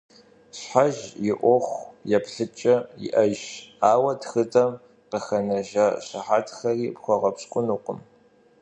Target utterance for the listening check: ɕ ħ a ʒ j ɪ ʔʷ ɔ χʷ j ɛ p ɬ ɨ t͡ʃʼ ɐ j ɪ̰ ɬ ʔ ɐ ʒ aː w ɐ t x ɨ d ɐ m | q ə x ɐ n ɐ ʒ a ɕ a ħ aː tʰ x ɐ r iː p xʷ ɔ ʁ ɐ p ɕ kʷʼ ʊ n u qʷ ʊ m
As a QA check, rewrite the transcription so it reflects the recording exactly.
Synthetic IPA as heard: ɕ ħ a ʒ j ɪ ʔʷ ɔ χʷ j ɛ p ɬ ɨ t͡ʃʼ ɐ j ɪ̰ ʔ ɐ ʒ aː w ɐ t x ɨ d ɐ m | q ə x ɐ n ɐ ʒ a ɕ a ħ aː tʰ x ɐ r iː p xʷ ɔ ʁ ɐ p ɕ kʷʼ ʊ n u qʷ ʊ m